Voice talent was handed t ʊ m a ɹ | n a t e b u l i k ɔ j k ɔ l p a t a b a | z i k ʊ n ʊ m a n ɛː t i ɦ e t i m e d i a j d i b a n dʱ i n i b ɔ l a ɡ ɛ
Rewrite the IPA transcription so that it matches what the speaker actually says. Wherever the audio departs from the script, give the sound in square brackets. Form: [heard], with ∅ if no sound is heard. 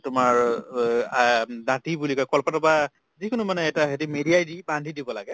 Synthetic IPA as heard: t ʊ m a ɹ | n a t [i] b u l i k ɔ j k ɔ l p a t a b a | z i k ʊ n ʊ m a n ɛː t [a] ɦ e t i m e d i a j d i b a n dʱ i [d] i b ɔ l a ɡ ɛ